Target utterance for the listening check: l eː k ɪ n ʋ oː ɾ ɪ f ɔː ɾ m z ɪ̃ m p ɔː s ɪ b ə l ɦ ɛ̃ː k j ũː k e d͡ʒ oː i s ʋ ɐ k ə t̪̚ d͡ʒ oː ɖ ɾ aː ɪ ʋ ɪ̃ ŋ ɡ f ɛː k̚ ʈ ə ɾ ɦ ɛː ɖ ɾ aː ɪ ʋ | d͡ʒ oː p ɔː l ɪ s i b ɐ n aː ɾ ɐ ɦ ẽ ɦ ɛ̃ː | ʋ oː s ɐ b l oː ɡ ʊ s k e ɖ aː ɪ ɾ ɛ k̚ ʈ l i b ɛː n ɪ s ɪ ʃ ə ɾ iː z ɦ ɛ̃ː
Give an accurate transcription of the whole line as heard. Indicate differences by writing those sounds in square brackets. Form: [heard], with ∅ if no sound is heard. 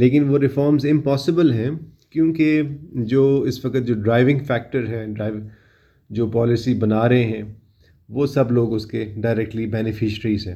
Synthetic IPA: l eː k ɪ n ʋ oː ɾ ɪ f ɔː ɾ m z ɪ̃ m p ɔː s ɪ b ə l ɦ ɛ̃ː k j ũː k e d͡ʒ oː [ɪ] s ʋ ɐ k ə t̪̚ d͡ʒ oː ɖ ɾ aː ɪ ʋ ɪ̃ ŋ ɡ f ɛː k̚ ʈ ə ɾ ɦ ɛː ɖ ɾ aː ɪ ʋ | d͡ʒ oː p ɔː l ɪ s i b ɐ n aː ɾ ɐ ɦ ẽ ɦ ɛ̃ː | ʋ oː s ɐ b l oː ɡ ʊ s k e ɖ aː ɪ ɾ ɛ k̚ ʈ l i b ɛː n ɪ [f] ɪ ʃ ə ɾ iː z ɦ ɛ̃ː